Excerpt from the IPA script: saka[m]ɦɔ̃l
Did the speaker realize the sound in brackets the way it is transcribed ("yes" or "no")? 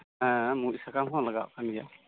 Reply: yes